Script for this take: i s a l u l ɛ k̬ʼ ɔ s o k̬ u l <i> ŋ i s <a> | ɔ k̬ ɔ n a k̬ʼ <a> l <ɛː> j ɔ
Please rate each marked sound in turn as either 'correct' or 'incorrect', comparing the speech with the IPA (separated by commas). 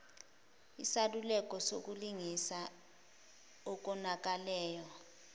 correct, correct, correct, correct